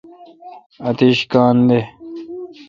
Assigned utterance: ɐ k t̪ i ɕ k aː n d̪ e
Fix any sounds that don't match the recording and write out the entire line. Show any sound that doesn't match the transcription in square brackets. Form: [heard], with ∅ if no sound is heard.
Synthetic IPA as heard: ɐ [∅] t̪ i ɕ k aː n d̪ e